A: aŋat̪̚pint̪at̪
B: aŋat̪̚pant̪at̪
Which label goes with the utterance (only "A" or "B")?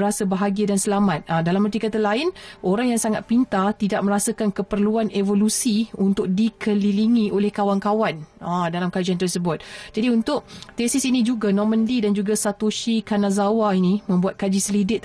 A